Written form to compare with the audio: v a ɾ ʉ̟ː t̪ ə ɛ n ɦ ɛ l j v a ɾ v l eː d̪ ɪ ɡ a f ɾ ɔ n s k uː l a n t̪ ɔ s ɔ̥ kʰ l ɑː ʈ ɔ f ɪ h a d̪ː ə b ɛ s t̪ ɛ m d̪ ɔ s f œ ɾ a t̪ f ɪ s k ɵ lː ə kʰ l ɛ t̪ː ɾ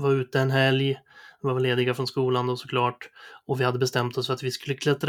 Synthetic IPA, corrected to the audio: v a ɾ ʉ̟ː t̪ ə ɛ n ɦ ɛ l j v a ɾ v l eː d̪ ɪ ɡ a f ɾ ɔ n s k uː l a n d̪ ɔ s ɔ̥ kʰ l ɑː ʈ ɔ v ɪ h a d̪ː ə b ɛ s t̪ ɛ m t̪ ɔ s f œ ɾ a t̪ v ɪ s k ɵ lː ə kʰ l ɛ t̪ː ɾ